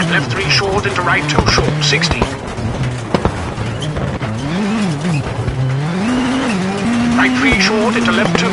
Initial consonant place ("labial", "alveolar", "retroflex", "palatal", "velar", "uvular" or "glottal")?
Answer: alveolar